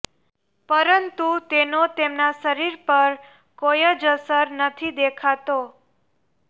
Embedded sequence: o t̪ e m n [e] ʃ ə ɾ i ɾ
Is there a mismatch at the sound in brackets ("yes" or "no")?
yes